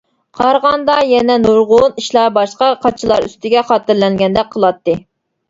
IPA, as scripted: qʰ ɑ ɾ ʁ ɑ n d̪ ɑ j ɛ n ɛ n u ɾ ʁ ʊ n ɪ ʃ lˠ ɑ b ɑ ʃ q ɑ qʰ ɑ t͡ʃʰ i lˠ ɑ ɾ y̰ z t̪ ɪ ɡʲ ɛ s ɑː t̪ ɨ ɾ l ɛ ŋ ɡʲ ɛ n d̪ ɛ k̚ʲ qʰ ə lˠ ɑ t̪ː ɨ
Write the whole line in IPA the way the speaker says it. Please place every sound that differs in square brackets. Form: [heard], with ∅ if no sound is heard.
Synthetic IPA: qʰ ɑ ɾ ʁ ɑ n d̪ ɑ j ɛ n ɛ n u ɾ ʁ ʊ n [i] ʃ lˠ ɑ b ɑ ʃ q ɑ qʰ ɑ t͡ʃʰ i lˠ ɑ ɾ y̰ [s] t̪ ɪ ɡʲ ɛ [χ] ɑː t̪ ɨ ɾ l ɛ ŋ ɡʲ ɛ n d̪ ɛ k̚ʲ qʰ ə lˠ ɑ t̪ː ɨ